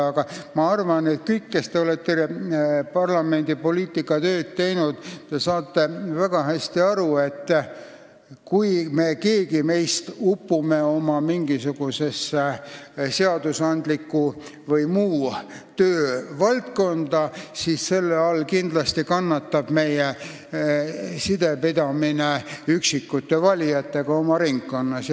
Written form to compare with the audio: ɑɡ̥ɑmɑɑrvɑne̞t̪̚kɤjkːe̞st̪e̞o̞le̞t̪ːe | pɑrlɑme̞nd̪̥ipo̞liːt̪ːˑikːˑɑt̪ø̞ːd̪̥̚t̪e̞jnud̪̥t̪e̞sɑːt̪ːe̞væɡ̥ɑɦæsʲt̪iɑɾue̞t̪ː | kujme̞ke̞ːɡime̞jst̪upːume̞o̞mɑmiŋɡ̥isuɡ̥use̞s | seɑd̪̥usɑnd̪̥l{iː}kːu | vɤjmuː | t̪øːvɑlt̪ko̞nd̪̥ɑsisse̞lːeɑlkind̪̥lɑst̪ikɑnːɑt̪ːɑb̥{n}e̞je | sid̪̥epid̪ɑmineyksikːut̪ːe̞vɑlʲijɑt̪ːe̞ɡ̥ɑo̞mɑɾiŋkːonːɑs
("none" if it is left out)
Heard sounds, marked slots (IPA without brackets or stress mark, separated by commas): i, m